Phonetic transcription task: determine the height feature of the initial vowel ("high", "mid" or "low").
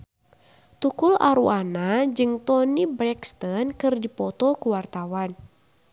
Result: high